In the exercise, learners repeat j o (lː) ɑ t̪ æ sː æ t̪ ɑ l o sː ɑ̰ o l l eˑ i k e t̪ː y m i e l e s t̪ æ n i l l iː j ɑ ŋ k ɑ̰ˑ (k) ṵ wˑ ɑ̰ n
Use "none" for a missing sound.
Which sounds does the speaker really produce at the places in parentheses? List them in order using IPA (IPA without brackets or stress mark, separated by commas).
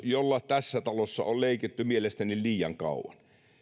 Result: lː, none